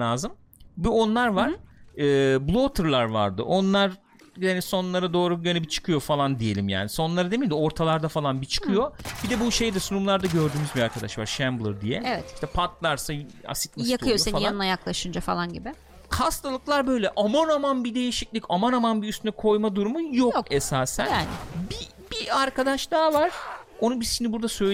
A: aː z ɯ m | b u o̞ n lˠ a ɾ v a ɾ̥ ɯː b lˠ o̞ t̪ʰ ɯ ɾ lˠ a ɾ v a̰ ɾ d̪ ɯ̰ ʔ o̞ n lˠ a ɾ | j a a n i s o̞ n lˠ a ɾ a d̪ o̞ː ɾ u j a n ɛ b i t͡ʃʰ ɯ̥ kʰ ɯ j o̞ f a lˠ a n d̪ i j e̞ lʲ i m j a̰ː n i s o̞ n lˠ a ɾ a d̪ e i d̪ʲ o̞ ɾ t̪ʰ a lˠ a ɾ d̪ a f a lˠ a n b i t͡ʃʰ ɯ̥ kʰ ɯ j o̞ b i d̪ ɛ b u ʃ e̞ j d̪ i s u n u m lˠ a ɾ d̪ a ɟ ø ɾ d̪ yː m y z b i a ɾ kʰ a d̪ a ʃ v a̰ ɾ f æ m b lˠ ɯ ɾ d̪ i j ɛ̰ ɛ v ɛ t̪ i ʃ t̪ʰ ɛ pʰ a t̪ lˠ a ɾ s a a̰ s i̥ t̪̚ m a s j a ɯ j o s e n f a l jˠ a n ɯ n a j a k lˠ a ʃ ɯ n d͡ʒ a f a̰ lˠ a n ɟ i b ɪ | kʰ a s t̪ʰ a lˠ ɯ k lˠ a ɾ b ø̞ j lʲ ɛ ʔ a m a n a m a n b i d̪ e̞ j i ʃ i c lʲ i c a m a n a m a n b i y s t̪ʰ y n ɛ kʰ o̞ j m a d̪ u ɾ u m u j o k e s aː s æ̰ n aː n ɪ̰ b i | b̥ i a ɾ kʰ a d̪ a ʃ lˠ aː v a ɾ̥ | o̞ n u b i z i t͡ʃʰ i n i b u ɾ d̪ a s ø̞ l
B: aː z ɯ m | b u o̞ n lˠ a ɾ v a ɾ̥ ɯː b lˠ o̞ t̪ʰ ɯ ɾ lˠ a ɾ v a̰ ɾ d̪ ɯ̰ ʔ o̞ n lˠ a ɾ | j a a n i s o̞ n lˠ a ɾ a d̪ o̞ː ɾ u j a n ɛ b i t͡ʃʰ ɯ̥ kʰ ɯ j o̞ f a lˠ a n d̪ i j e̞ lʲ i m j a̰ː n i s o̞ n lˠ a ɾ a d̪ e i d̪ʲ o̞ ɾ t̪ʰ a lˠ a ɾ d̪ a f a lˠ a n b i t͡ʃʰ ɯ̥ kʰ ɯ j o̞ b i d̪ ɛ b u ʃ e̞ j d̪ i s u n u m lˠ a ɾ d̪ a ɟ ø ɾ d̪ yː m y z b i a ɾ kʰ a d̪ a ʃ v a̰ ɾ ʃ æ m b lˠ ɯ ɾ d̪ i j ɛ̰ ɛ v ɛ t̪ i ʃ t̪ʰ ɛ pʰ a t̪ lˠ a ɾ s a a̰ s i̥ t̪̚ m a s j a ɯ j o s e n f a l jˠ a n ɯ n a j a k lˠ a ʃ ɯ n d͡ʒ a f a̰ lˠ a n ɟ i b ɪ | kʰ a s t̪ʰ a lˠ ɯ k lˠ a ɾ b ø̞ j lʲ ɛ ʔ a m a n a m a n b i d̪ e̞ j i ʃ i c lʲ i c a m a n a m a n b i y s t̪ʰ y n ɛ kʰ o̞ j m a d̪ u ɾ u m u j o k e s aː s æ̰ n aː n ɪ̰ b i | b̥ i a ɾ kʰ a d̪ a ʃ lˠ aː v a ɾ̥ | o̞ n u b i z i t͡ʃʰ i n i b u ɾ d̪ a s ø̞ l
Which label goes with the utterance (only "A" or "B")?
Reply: B